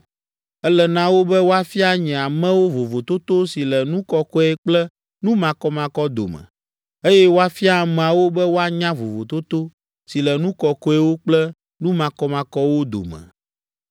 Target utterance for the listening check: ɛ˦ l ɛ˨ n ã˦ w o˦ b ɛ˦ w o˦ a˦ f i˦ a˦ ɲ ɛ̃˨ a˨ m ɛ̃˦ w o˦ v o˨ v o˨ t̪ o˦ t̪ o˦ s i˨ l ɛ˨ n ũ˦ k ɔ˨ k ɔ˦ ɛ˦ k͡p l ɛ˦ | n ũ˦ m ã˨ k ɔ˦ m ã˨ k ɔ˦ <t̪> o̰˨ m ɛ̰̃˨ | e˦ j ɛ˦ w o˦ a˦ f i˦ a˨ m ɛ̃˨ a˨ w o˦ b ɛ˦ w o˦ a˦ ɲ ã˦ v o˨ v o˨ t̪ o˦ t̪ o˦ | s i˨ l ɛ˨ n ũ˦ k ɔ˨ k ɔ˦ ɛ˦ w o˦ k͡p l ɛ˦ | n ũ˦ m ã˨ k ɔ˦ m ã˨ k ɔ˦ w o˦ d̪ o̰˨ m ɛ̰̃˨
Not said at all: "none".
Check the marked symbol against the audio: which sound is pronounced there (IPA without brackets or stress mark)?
d̪